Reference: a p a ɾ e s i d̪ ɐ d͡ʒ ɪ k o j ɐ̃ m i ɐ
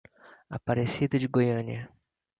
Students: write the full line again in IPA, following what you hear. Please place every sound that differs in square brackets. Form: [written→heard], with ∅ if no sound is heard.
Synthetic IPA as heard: a p a ɾ e s i d̪ ɐ d͡ʒ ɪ [k→ɡ] o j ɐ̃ [m→n] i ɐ